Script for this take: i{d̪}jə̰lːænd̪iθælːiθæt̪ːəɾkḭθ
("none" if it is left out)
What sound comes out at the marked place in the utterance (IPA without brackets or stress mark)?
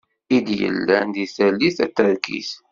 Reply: d̪